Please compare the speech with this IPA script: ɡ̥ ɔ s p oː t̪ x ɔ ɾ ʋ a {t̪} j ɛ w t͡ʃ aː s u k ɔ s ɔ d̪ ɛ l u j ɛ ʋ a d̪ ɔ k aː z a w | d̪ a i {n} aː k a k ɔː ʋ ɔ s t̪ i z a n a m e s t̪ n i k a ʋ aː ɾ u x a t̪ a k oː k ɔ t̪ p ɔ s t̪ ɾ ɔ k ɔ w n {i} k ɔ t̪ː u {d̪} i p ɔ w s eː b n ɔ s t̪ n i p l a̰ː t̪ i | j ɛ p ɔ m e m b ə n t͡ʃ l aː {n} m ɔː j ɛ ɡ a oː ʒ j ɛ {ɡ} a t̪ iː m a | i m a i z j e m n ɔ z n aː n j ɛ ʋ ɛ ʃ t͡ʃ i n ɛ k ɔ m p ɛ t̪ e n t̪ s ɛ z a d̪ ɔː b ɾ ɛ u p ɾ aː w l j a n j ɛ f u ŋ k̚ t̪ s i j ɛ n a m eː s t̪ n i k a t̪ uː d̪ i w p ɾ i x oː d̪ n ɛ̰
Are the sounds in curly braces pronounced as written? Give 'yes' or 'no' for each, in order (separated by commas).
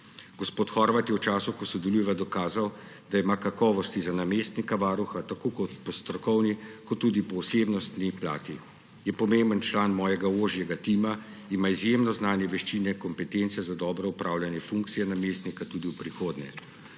yes, no, yes, yes, yes, yes